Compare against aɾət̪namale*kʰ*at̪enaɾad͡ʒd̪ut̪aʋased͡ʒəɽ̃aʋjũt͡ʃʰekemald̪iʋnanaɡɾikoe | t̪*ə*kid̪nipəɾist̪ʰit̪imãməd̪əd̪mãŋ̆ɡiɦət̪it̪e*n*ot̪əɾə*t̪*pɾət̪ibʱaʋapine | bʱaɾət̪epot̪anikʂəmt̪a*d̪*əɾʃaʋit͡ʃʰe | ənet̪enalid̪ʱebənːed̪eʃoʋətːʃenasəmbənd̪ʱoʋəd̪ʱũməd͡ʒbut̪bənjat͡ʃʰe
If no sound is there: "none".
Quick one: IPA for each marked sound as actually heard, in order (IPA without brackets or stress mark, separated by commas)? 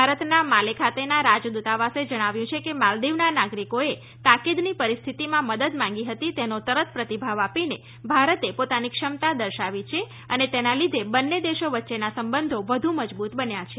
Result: kʰ, a, n, t̪, d̪